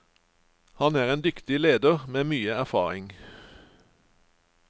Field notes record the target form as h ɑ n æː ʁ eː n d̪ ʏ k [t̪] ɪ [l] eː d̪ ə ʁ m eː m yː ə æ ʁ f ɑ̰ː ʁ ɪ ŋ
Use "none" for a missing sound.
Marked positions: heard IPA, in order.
t̪, l

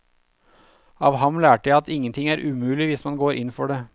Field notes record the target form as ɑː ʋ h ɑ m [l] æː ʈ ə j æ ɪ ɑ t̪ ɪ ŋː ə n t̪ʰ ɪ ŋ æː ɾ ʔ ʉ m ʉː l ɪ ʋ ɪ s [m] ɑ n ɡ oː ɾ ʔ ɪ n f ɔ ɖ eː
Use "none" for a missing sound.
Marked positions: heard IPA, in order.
l, m

